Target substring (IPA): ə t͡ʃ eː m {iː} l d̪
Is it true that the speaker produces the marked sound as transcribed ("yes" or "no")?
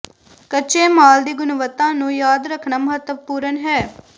no